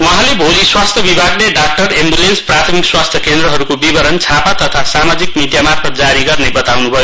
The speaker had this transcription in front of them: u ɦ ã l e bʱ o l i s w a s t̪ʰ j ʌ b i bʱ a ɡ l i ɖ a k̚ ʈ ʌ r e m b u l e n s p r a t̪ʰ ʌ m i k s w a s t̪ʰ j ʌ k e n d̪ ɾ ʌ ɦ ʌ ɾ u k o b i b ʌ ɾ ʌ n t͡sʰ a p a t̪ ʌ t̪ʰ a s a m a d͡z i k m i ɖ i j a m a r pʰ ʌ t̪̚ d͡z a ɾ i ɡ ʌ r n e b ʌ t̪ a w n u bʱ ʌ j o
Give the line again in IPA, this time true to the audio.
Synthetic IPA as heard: u ɦ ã l e bʱ o l i s w a s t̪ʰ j ʌ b i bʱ a ɡ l e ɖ a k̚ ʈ ʌ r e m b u l e n s p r a t̪ʰ ʌ m i k s w a s t̪ʰ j ʌ k e n d̪ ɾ ʌ ɦ ʌ ɾ u k o b i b ʌ ɾ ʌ n t͡sʰ a p a t̪ ʌ t̪ʰ a s a m a d͡z i k m i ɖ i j a m a r pʰ ʌ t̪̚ d͡z a ɾ i ɡ ʌ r n e b ʌ t̪ a w n u bʱ ʌ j o

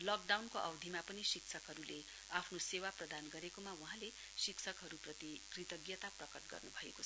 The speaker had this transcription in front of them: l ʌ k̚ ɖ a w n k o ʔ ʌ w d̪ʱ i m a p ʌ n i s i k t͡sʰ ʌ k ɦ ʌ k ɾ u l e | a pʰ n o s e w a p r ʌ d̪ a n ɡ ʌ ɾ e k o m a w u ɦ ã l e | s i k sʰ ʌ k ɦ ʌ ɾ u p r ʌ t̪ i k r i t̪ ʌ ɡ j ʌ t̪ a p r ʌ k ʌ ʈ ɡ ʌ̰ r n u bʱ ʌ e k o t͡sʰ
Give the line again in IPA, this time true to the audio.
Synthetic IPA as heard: l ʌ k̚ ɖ a w n k o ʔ ʌ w d̪ʱ i m a p ʌ n i s i k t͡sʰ ʌ k ɦ ʌ ɾ u l e | a pʰ n o s e w a p r ʌ d̪ a n ɡ ʌ ɾ e k o m a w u ɦ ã l e | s i k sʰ ʌ k ɦ ʌ ɾ u p r ʌ t̪ i k r i t̪ ʌ ɡ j ʌ t̪ a p r ʌ k ʌ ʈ ɡ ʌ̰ r n u bʱ ʌ e k o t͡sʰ

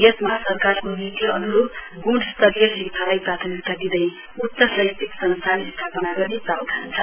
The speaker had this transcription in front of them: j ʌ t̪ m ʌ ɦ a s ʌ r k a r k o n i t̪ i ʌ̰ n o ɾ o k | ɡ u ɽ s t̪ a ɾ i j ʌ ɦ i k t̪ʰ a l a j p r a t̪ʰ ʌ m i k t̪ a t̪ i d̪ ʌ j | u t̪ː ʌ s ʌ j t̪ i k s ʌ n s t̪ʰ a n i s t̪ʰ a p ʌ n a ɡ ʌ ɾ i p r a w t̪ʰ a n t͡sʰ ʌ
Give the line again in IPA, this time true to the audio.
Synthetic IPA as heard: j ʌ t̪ m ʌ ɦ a s ʌ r k a r k o n i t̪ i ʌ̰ n u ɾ o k | ɡ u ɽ s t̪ ʌ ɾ i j ʌ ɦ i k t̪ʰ a l a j p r a t̪ʰ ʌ m i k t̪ a d̪ i d̪ ʌ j | u t̪ː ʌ s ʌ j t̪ i k s ʌ n s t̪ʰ a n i s t̪ʰ a p ʌ n a ɡ ʌ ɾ i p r a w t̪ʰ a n t͡sʰ ʌ

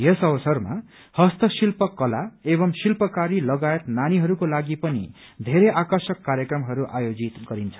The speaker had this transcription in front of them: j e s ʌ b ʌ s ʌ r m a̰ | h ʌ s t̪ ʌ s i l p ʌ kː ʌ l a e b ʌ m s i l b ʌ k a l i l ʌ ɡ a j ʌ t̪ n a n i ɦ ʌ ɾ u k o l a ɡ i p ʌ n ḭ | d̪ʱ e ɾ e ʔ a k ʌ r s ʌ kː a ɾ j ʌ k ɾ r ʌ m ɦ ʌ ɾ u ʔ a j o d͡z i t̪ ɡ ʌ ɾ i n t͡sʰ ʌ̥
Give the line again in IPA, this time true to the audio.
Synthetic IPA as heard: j e s ʌ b ʌ s ʌ r m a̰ | h ʌ s t̪ ʌ s i l p ʌ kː ʌ l a e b ʌ m s i l p ʌ k a ɾ i l ʌ ɡ a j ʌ t̪ n a n i ɦ ʌ ɾ u k o l a ɡ i p ʌ n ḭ | d̪ʱ e ɾ e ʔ a k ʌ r s ʌ kː a ɾ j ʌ k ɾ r ʌ m ɦ ʌ ɾ u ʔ a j o d͡z i t̪ ɡ ʌ ɾ i n t͡sʰ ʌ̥

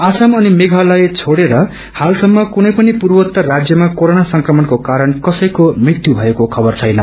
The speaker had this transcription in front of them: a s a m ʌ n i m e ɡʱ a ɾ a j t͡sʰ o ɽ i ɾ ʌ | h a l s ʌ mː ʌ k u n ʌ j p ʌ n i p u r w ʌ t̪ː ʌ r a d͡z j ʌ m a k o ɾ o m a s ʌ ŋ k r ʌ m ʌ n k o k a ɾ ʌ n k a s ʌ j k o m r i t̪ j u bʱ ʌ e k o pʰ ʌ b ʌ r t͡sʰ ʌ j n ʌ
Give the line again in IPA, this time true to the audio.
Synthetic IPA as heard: a s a m ʌ n i m e ɡʱ a l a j t͡sʰ o ɽ e ɾ ʌ | h a l s ʌ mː ʌ k u n ʌ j p ʌ n i p u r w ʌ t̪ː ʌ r a d͡z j ʌ m a k o ɾ o n a s ʌ ŋ k r ʌ m ʌ n k o k a ɾ ʌ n k ʌ s ʌ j k o m r i t̪ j u bʱ ʌ e k o kʰ ʌ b ʌ r t͡sʰ ʌ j n ʌ

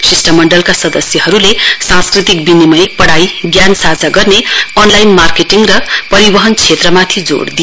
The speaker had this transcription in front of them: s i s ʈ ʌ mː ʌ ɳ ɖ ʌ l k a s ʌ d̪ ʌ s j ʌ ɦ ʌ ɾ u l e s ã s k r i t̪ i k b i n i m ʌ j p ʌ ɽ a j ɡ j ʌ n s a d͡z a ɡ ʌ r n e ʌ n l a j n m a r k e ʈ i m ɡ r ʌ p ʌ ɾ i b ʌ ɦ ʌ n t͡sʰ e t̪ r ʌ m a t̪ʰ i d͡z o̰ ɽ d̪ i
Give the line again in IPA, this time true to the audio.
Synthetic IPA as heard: s i s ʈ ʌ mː ʌ ɳ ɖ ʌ l k a s ʌ d̪ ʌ s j ʌ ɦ ʌ ɾ u l e s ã s k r i t̪ i k b i n i m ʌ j p ʌ ɽ a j ɡ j a n s a d͡z a ɡ ʌ r n e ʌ n l a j n m a r k e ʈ i ŋ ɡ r ʌ p ʌ ɾ i b ʌ ɦ ʌ n t͡sʰ e t̪ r ʌ m a t̪ʰ i d͡z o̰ ɽ d̪ i

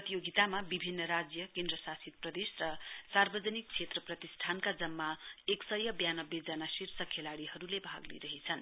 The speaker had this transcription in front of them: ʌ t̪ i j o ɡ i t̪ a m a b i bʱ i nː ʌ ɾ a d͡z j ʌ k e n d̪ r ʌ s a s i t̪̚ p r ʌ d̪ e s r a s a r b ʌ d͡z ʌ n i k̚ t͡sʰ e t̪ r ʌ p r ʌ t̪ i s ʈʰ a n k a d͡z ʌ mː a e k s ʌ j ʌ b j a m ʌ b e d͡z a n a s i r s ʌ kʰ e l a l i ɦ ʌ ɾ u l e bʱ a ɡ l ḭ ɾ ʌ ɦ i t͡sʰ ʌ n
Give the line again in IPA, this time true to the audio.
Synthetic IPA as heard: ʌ t̪ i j o ɡ i t̪ a m a b i bʱ i nː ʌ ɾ a d͡z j ʌ k e n d̪ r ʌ s a s i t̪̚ p r ʌ d̪ e s r ʌ s a r b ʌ d͡z ʌ n i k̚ t͡sʰ e t̪ r ʌ p r ʌ t̪ i s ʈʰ a n k a d͡z ʌ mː a e k s ʌ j ʌ b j a n ʌ b e d͡z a n a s i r s ʌ kʰ e l a ɽ i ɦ ʌ ɾ u l e bʱ a ɡ l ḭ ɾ ʌ ɦ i t͡sʰ ʌ n

